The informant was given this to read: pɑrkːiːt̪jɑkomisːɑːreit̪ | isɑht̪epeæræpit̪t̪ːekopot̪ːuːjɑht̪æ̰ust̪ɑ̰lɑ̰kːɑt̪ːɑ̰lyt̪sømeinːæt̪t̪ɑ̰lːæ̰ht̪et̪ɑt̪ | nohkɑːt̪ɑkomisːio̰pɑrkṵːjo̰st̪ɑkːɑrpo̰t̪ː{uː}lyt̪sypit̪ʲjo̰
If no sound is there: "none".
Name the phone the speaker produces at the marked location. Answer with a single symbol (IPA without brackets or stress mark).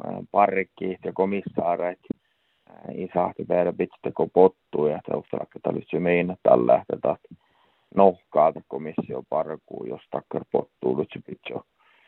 uː